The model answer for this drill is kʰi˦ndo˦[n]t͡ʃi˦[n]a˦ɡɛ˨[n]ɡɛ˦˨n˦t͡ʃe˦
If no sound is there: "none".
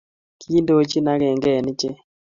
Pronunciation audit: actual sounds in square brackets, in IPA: none, n, ŋ

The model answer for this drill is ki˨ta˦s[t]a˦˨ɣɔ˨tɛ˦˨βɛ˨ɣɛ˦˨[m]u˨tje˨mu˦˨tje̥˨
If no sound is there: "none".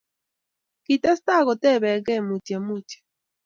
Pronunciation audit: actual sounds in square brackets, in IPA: t, m

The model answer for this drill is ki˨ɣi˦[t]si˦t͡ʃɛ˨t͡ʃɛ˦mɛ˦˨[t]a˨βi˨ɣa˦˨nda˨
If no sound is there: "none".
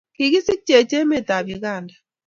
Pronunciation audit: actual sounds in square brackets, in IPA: none, t

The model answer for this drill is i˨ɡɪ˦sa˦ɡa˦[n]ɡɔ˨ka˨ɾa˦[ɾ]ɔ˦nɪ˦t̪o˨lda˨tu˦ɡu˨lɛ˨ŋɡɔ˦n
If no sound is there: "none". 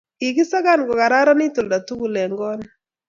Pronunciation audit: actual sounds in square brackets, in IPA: n, ɾ

